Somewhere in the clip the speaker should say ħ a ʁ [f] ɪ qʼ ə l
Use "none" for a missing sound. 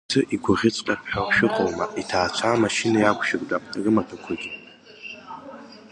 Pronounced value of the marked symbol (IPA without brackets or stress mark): ʃ